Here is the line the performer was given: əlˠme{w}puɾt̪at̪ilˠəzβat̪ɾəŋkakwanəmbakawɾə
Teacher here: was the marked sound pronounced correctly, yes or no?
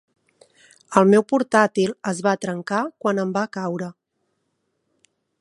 yes